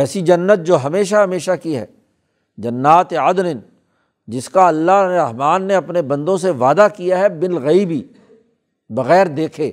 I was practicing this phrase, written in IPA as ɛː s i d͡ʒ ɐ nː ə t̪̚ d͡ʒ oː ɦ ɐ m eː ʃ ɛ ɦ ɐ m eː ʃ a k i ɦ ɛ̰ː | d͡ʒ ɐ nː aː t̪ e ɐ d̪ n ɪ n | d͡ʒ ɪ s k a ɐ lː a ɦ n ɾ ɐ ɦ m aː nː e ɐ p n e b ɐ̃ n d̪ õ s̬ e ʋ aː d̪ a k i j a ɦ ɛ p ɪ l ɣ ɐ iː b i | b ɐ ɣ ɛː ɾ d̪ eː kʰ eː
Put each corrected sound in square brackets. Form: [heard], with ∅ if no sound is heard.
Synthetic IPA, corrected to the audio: ɛː s i d͡ʒ ɐ nː ə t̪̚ d͡ʒ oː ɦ ɐ m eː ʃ [a] ɦ ɐ m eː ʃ a k i ɦ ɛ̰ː | d͡ʒ ɐ nː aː t̪ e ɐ d̪ n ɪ n | d͡ʒ ɪ s k a ɐ lː a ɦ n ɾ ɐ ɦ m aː nː e ɐ p n e b ɐ̃ n d̪ õ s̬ e ʋ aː d̪ a k i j a ɦ ɛ [b] ɪ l ɣ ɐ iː b i | b ɐ ɣ ɛː ɾ d̪ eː kʰ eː